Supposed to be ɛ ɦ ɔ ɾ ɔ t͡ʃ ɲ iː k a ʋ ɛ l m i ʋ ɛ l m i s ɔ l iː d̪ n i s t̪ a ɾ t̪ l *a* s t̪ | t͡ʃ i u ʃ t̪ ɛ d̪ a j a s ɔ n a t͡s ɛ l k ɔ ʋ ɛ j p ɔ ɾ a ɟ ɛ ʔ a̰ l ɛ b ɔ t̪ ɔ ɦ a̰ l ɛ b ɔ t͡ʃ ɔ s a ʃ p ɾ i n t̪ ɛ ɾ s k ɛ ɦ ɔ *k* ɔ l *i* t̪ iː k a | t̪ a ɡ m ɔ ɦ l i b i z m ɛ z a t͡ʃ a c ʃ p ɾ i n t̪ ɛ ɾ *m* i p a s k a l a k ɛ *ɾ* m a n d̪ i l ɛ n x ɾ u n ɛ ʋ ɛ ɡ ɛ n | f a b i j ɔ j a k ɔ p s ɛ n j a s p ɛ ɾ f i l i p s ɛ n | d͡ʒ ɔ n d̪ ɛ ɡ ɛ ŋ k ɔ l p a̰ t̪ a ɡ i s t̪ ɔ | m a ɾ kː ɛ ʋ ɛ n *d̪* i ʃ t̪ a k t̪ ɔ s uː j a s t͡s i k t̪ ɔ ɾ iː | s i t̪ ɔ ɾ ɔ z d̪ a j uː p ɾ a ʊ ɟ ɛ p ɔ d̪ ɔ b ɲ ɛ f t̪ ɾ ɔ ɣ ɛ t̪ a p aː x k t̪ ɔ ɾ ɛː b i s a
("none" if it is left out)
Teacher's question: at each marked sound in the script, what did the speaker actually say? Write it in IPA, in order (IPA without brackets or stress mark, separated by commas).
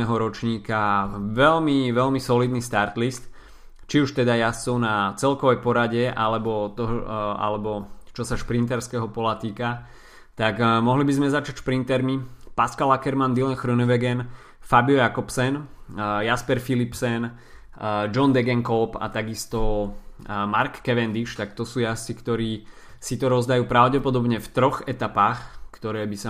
i, p, a, m, ɾ, d̪